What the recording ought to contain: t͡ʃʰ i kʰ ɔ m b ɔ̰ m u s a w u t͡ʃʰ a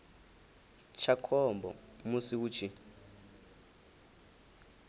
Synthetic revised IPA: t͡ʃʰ a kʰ ɔ m b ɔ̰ m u s i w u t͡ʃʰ i